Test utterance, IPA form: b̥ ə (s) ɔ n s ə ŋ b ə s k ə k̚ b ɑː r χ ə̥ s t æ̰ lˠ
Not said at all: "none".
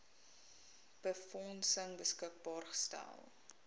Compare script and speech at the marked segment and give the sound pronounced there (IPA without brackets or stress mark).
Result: f